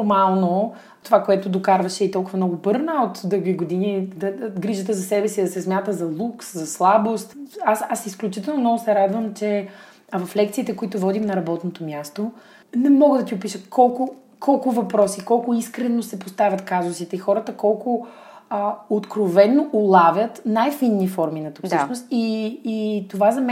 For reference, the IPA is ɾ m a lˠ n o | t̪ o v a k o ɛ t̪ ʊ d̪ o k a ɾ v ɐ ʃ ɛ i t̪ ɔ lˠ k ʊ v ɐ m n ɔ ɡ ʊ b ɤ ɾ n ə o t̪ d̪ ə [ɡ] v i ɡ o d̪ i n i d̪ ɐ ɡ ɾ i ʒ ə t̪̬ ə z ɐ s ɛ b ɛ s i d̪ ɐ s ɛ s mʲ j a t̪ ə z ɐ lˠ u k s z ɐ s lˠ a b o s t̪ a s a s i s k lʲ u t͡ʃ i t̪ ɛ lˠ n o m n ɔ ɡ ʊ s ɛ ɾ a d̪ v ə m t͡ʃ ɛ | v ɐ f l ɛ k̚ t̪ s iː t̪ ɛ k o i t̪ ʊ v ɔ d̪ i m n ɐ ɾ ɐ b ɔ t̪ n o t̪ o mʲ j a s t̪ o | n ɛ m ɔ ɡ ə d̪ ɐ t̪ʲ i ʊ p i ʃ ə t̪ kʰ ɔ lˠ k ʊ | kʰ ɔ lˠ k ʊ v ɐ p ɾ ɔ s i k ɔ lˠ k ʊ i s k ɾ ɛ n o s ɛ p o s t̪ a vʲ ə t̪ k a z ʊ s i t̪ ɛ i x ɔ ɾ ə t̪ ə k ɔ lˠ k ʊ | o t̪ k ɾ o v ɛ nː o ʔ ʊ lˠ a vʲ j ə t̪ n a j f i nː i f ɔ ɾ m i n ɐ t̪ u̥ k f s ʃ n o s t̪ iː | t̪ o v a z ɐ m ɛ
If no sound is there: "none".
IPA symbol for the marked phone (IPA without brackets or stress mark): ɡ